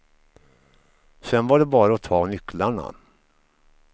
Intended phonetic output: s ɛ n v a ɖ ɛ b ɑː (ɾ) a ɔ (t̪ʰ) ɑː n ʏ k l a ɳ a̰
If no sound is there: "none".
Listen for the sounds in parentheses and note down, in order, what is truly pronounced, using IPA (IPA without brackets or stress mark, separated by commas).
ɾ, t̪ʰ